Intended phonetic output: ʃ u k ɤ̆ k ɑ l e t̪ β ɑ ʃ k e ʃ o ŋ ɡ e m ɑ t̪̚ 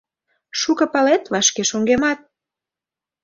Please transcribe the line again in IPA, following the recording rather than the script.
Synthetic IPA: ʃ u k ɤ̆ p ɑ l e t̪ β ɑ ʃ k e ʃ o ŋ ɡ e m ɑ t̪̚